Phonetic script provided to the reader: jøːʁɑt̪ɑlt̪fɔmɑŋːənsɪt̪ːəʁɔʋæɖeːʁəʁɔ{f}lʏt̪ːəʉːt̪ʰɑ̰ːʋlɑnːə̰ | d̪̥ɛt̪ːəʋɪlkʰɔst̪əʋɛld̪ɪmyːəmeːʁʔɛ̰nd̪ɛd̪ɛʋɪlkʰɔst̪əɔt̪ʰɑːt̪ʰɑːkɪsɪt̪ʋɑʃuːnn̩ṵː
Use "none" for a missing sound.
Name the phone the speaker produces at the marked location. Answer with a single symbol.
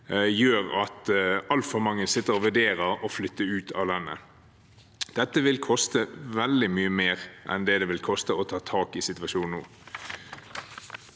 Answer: f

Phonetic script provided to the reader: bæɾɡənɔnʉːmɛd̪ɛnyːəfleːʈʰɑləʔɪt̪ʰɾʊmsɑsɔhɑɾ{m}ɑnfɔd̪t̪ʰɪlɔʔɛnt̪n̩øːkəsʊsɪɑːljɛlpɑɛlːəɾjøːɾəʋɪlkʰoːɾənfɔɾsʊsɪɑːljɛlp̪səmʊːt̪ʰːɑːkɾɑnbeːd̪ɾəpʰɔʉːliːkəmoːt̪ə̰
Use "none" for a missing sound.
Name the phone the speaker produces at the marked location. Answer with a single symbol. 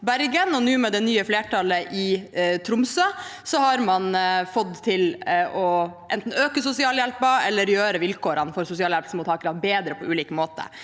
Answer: m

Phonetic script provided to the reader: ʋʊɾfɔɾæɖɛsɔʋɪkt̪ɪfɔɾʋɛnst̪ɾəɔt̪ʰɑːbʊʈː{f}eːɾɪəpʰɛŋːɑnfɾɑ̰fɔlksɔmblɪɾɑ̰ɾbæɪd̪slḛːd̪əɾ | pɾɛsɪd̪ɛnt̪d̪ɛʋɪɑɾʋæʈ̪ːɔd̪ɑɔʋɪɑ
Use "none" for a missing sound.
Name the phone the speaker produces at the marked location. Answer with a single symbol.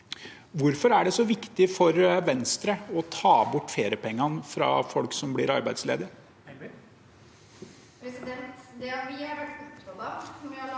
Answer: f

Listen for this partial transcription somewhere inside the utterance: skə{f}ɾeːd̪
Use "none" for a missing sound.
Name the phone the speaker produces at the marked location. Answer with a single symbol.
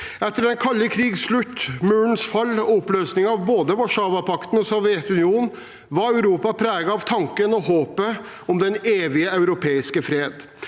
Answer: f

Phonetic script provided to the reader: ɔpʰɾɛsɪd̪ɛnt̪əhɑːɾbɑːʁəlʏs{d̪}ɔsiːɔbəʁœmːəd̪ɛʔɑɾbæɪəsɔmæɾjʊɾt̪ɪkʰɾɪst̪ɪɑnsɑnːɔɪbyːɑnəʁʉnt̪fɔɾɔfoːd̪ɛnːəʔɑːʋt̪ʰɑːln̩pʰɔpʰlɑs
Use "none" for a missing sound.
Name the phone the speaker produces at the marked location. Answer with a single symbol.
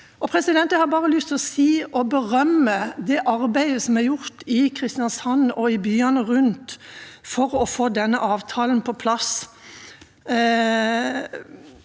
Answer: t̪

